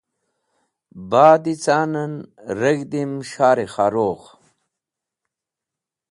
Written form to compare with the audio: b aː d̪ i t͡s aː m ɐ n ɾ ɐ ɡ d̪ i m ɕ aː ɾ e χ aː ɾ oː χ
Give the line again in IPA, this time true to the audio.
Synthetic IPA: b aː d̪ i t͡s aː n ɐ n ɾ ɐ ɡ d̪ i m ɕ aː ɾ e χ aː ɾ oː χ